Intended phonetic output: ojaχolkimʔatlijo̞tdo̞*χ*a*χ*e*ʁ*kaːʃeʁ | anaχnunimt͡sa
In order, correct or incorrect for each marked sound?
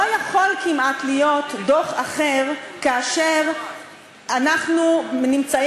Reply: correct, correct, correct

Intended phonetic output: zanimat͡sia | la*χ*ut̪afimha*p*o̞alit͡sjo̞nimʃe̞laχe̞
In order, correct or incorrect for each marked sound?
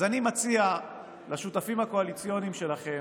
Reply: incorrect, incorrect

